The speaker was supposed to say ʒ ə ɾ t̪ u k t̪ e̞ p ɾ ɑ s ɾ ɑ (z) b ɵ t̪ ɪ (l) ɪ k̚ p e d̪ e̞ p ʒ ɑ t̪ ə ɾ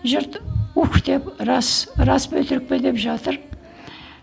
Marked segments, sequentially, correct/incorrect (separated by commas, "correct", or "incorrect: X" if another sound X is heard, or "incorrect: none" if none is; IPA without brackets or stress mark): incorrect: s, incorrect: ɾ